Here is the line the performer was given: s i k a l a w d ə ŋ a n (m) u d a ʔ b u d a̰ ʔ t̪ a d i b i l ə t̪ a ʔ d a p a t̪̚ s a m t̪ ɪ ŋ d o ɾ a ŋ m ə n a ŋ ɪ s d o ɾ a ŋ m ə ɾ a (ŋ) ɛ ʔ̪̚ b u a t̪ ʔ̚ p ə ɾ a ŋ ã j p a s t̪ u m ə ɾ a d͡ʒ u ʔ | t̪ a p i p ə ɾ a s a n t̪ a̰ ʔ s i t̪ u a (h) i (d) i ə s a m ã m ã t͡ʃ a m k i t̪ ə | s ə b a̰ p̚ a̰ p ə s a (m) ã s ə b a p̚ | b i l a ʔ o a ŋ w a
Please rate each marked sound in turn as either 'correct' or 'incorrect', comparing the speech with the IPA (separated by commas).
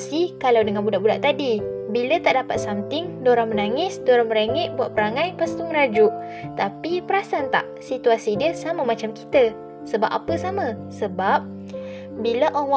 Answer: incorrect, correct, incorrect, correct, correct